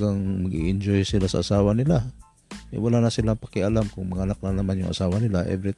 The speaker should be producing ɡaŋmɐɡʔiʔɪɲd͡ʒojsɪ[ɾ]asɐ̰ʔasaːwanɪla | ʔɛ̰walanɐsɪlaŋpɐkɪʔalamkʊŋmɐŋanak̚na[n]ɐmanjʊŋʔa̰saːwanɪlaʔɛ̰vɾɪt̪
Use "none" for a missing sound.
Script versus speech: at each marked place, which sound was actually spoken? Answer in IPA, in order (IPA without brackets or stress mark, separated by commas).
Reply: l, n